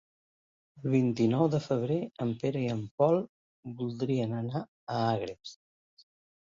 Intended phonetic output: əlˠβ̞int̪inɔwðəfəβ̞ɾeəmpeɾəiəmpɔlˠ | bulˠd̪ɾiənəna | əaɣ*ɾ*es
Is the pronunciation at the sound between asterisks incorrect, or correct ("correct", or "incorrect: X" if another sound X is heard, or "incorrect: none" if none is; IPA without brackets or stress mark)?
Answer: correct